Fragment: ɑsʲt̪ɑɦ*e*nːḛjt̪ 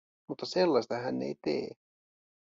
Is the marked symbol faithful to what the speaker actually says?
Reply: no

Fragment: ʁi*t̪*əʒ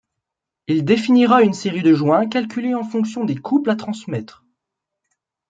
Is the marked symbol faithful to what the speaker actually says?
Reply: no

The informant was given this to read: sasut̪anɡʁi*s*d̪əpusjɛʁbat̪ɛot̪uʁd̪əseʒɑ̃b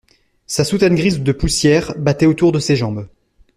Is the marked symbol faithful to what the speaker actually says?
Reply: no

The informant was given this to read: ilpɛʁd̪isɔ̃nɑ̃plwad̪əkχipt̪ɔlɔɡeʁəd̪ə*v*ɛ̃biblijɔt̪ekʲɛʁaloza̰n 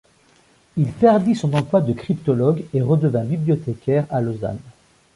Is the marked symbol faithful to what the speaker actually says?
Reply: yes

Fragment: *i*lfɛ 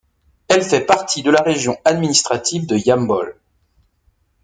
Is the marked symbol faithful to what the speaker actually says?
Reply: no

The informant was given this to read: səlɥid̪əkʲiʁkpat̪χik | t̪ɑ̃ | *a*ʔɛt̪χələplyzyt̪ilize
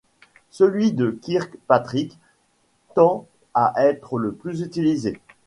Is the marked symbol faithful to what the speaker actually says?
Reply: yes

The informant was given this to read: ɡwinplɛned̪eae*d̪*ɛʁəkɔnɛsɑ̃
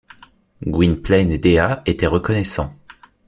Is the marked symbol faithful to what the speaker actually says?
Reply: no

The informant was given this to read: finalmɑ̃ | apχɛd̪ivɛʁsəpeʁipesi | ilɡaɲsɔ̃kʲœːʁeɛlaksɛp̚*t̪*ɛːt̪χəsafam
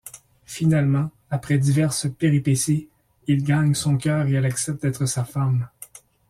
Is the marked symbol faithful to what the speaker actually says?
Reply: yes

